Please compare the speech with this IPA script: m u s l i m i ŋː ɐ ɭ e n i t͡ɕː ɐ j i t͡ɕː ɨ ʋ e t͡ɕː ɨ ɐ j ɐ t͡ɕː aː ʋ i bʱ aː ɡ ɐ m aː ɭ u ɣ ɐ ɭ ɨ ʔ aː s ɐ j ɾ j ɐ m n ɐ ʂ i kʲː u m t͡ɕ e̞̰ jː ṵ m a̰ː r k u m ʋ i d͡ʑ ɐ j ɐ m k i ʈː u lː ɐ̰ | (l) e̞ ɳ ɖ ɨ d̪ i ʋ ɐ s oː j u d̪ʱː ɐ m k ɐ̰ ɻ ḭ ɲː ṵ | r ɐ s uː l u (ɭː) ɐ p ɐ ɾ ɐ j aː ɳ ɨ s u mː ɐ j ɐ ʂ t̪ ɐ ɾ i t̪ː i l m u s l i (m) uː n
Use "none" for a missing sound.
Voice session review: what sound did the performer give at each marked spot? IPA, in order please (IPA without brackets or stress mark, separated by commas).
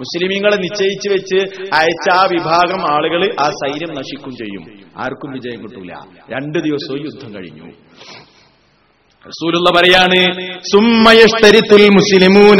ɾ, lː, m